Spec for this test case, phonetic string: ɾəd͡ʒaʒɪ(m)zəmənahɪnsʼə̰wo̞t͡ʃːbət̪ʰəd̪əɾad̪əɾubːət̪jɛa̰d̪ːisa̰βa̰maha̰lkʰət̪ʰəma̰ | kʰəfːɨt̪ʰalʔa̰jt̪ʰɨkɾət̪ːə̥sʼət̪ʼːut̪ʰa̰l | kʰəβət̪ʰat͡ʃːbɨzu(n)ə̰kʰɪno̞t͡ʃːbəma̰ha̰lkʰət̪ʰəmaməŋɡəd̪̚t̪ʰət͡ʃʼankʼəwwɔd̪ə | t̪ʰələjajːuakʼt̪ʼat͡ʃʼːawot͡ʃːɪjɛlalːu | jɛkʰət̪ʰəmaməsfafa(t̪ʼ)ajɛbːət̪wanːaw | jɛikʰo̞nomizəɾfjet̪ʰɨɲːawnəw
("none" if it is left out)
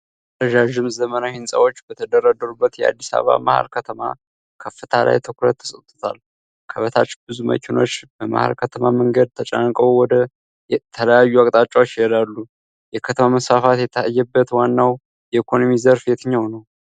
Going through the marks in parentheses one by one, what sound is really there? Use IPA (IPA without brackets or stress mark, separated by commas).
m, m, t̪